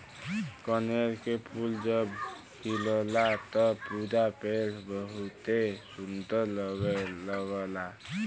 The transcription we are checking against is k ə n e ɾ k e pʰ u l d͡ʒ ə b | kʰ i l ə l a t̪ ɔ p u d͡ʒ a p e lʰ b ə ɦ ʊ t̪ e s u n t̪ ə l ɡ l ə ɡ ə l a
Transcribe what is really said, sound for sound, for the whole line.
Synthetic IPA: k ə n e ɾ k e pʰ u l d͡ʒ ə b | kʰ i l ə l a t̪ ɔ p u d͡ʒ a p e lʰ b ə ɦ u t̪ e s u n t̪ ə l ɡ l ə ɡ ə l a